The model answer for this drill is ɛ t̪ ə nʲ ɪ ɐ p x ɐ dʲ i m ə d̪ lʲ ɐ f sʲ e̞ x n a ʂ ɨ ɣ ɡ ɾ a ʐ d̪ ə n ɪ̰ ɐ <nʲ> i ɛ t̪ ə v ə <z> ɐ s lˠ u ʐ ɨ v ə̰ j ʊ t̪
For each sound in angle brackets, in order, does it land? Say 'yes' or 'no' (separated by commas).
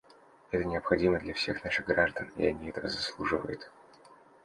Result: yes, yes